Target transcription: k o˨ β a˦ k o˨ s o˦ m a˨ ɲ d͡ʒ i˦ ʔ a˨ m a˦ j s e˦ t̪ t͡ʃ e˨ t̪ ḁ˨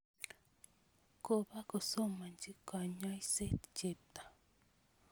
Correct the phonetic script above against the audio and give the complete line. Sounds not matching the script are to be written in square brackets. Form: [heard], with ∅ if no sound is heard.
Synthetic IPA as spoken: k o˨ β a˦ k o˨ s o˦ m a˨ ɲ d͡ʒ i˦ [k] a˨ [ɲ] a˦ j s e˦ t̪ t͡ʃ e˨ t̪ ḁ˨